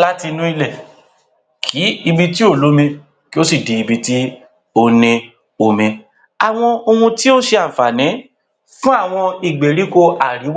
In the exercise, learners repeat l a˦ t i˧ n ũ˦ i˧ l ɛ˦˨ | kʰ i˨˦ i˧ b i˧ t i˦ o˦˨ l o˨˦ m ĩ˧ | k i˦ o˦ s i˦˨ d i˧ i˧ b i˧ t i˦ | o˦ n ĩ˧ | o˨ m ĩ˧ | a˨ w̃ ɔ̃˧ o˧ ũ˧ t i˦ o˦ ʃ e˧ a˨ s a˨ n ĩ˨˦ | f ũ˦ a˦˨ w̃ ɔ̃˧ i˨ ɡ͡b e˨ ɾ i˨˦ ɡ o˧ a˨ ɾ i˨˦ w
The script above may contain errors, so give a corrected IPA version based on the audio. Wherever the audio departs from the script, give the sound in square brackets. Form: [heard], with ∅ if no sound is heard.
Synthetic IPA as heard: l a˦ t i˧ n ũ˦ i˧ l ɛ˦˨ | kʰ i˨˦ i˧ b i˧ t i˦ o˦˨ l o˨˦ m ĩ˧ | k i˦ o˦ s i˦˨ d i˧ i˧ b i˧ t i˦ | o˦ n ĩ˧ | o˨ m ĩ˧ | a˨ w̃ ɔ̃˧ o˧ ũ˧ t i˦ o˦ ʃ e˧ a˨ [f] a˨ n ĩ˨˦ | f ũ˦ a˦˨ w̃ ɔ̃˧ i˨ ɡ͡b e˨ ɾ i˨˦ [k] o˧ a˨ ɾ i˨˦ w